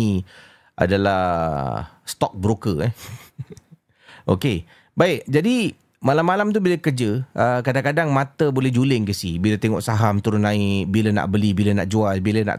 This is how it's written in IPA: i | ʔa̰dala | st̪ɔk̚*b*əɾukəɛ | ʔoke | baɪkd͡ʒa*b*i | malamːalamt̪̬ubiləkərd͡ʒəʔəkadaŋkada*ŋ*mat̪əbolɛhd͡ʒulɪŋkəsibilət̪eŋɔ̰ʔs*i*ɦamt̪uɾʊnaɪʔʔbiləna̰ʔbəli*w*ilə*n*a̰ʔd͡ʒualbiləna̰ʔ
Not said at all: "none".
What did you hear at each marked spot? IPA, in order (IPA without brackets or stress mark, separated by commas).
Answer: b, d, ŋ, a, b, n